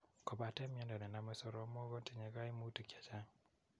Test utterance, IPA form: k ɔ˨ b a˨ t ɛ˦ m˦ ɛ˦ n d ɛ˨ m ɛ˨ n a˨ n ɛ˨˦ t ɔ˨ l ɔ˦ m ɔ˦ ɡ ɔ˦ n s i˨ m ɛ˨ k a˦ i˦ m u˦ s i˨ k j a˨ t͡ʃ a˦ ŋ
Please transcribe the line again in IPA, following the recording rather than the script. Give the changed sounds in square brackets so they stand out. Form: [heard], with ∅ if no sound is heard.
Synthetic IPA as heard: k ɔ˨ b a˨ t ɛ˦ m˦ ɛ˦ n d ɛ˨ [n] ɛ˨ n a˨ [m] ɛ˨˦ [s] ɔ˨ [ɾ] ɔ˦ m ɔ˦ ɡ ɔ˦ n [t] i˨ [ɲ] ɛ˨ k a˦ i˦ m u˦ [t] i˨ k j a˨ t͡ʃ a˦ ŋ